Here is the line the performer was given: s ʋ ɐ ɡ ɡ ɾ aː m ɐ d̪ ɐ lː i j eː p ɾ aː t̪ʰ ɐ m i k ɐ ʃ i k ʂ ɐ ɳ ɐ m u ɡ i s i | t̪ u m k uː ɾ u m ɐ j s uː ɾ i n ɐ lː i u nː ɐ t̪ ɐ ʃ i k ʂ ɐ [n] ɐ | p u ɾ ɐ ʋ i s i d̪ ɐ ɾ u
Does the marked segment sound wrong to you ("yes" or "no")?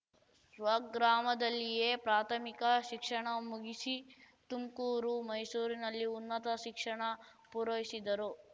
yes